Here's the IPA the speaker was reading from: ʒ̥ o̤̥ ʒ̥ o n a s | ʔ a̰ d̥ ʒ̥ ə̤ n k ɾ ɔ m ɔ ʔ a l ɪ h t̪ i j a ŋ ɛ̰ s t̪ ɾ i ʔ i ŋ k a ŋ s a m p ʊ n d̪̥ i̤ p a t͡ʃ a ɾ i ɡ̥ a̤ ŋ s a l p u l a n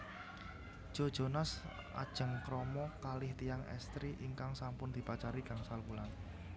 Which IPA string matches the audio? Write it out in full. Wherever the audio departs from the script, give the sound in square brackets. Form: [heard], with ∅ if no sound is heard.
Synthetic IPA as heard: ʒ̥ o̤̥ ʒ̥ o n a s | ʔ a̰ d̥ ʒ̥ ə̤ [ŋ] k ɾ ɔ m ɔ [k] a l ɪ h t̪ i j a ŋ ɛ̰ s t̪ ɾ i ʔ i ŋ k a ŋ s a m p ʊ n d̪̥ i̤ p a t͡ʃ a ɾ i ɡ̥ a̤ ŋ s a l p u l a n